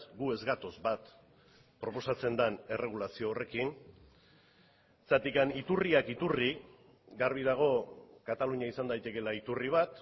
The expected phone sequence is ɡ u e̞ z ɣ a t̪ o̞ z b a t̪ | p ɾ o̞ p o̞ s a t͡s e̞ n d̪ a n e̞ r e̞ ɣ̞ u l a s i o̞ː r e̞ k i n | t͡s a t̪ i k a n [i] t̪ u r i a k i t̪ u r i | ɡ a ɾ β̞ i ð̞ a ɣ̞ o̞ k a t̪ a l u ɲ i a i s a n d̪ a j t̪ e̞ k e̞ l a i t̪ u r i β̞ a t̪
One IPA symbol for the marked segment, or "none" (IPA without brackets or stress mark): i